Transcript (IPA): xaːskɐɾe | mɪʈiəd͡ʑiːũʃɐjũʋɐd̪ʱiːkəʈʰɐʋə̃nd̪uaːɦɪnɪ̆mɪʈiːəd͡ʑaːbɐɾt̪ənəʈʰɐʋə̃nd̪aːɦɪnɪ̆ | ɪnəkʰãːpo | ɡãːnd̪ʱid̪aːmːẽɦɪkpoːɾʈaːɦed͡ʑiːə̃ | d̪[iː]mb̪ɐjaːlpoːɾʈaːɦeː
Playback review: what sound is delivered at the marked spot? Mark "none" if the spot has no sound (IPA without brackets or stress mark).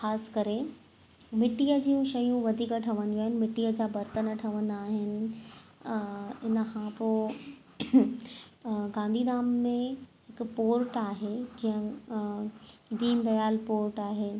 iː